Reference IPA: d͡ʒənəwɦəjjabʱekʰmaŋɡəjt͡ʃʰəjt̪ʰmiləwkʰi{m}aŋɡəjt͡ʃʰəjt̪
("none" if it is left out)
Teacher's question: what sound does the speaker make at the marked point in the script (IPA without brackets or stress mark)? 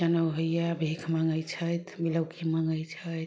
m